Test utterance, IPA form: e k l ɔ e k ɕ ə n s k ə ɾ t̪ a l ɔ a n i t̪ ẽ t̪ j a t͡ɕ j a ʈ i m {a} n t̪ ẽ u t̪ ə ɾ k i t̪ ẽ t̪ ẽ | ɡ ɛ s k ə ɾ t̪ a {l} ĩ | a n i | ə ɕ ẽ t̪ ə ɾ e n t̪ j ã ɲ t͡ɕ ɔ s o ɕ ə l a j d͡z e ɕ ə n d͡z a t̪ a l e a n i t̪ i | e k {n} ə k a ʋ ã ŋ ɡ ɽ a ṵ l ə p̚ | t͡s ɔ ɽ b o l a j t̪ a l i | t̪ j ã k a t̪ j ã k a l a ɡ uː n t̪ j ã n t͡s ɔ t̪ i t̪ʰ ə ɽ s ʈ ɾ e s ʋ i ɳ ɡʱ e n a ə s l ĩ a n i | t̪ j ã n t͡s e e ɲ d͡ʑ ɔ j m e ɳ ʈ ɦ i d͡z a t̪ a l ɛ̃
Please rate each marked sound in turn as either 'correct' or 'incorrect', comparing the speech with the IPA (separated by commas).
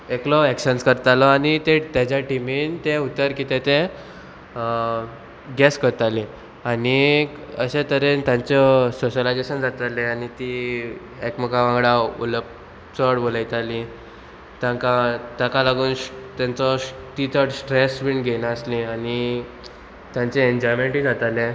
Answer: incorrect, correct, incorrect